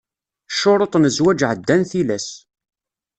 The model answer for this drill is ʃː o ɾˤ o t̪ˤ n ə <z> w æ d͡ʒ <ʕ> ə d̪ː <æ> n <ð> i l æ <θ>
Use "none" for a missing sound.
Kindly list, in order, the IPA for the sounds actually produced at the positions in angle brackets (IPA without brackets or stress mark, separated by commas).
z, ʕ, æ, θ, s